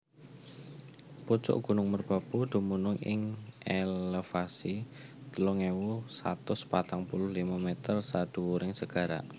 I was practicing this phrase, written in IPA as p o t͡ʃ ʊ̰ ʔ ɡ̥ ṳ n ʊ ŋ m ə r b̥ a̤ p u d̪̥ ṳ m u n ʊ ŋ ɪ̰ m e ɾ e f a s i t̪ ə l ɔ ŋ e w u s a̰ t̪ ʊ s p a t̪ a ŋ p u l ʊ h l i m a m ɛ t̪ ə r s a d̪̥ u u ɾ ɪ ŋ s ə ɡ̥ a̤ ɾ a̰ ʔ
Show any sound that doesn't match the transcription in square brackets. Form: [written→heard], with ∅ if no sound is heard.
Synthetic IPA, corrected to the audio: p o t͡ʃ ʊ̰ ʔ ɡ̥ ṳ n ʊ ŋ m ə r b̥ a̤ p u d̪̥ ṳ m u n ʊ ŋ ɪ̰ [m→ŋ] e [ɾ→l] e f a s i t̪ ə l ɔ ŋ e w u s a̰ t̪ ʊ s p a t̪ a ŋ p u l ʊ h l i m a m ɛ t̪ ə r s a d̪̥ u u ɾ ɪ ŋ s ə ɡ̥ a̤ ɾ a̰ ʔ